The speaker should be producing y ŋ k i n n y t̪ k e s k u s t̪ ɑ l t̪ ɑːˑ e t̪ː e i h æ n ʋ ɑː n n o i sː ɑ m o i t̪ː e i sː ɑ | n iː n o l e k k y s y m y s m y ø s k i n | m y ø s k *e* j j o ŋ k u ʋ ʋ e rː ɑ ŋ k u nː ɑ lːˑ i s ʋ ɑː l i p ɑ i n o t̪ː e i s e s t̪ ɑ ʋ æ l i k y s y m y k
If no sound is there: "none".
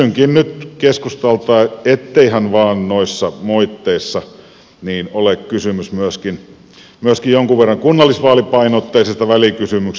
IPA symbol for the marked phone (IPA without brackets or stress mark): i